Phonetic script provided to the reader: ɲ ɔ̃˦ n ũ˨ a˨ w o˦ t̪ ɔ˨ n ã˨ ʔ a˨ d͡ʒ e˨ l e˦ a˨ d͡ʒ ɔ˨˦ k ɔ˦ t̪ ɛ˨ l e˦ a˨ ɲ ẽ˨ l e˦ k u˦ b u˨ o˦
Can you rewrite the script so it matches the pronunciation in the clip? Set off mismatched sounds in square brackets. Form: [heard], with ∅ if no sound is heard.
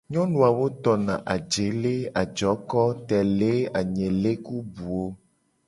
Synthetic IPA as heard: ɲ ɔ̃˦ n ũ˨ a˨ w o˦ t̪ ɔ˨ n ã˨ ʔ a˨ d͡ʒ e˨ l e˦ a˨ d͡ʒ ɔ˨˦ k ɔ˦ t̪ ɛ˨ l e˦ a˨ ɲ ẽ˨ l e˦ k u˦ b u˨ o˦

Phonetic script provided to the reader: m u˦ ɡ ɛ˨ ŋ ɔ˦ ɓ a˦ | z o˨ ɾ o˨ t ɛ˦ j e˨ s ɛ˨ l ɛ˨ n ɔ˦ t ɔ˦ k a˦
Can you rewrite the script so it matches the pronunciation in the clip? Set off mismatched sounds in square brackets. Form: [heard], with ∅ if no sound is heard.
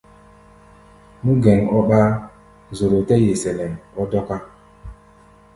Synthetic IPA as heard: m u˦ ɡ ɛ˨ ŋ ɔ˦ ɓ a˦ | z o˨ ɾ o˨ t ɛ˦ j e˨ s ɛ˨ l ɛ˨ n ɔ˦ [d] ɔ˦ k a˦

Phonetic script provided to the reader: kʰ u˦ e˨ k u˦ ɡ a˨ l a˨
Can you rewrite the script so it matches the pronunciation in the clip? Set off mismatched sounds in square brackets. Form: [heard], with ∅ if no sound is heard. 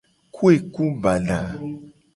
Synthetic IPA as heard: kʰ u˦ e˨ k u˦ [b] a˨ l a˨

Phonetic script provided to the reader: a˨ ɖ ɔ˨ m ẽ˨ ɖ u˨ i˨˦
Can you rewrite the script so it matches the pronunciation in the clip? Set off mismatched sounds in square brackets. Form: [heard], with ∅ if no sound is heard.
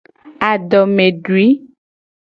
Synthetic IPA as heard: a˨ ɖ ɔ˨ m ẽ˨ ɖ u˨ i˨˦

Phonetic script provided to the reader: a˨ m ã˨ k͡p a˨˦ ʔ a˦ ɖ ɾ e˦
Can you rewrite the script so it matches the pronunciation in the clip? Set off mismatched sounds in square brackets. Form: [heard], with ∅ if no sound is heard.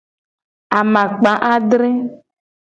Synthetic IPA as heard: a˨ m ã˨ k͡p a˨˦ ʔ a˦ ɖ ɾ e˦

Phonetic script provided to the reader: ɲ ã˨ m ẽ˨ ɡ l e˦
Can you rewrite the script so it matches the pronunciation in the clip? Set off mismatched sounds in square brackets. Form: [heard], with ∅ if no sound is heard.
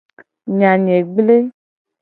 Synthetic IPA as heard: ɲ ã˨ [ɲ] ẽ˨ [ɡ͡b] l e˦

